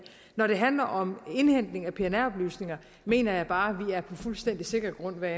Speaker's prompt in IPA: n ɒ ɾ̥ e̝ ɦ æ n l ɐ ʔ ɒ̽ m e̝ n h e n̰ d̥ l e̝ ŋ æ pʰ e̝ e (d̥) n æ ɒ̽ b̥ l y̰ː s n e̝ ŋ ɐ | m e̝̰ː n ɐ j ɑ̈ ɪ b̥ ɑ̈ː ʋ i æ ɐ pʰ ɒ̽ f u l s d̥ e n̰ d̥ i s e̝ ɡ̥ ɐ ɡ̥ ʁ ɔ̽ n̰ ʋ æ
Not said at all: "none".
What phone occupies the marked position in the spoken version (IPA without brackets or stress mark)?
none